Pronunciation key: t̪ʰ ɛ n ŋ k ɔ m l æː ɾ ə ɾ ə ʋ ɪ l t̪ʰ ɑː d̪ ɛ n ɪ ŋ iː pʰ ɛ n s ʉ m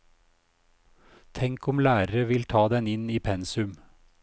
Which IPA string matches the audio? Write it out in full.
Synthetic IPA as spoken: t̪ʰ ɛ ŋ k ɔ m l æː ɾ ə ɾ ə ʋ ɪ l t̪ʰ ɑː d̪ ɛ n ɪ n iː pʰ ɛ n s ʉ m